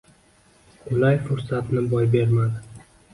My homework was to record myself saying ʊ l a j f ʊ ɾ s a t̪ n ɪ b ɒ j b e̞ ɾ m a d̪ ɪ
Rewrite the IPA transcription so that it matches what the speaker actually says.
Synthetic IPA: ʊ l a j f ʊ ɾ s a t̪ n ɪ b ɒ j b e̞ ɾ m a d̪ ɪ